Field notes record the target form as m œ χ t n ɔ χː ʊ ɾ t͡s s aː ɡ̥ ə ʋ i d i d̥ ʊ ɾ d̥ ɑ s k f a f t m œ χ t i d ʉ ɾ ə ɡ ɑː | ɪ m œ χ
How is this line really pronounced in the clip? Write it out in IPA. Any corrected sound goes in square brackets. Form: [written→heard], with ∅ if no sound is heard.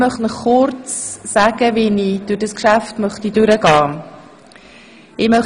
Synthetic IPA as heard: m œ χ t n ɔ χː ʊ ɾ t͡s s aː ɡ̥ ə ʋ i [d→n] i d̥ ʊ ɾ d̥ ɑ s k [f→ʃ] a f t m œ χ t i d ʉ ɾ ə ɡ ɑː | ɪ m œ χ